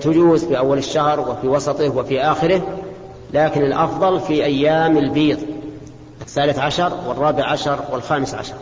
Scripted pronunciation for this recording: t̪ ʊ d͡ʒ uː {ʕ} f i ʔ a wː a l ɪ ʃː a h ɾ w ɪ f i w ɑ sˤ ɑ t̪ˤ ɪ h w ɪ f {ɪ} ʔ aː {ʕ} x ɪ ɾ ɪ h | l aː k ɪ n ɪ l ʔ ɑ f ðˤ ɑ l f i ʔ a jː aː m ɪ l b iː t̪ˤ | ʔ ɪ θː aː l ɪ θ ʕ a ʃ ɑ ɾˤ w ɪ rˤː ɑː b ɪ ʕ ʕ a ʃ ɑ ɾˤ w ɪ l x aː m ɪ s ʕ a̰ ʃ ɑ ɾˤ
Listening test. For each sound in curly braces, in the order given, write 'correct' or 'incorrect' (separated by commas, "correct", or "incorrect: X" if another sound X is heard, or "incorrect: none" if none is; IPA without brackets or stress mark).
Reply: incorrect: z, incorrect: i, incorrect: none